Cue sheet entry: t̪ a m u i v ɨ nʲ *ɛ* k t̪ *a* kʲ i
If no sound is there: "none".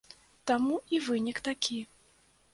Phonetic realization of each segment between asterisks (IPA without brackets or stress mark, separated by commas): i, a